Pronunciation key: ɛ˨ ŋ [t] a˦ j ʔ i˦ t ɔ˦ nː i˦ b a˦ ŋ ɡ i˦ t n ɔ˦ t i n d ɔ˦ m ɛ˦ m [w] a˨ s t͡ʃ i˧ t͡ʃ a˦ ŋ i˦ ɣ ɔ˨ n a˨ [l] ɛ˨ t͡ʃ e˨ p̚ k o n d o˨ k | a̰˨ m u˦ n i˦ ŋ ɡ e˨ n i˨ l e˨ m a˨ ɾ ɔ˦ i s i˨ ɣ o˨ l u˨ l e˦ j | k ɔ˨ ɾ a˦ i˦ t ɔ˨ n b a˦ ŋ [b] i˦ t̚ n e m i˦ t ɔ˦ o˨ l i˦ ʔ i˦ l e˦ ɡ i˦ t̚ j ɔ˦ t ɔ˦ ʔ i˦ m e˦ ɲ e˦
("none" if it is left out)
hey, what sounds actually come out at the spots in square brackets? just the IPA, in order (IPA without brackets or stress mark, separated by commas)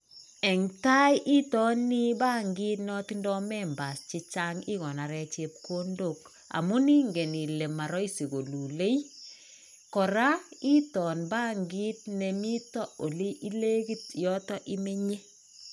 t, b, ɾ, ɡ